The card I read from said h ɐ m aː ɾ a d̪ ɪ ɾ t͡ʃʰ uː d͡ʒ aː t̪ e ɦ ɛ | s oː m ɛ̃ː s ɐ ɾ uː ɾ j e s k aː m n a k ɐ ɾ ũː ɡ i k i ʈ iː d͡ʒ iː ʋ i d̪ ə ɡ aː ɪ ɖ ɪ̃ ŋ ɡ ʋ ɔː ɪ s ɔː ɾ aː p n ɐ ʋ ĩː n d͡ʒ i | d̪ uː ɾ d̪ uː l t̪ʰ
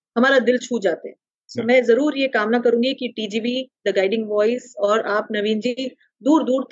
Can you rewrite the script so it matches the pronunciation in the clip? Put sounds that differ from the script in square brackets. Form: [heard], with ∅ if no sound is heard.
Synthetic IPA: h ɐ m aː ɾ a d̪ ɪ [l] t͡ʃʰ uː d͡ʒ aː t̪ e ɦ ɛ | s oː m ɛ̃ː [z] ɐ ɾ uː ɾ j e [∅] k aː m n a k ɐ ɾ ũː ɡ i k i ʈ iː d͡ʒ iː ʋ i d̪ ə ɡ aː ɪ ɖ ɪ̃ ŋ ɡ ʋ ɔː ɪ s ɔː ɾ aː p n ɐ ʋ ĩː n d͡ʒ i | d̪ uː ɾ d̪ uː [ɾ] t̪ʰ